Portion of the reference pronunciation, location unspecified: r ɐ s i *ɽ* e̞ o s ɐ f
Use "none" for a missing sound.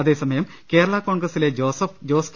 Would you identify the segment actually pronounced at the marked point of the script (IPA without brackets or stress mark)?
l